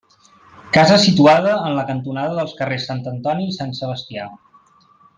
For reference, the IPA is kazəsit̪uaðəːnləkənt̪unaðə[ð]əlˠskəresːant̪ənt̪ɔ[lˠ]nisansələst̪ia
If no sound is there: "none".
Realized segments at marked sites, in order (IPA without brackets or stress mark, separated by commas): ð, none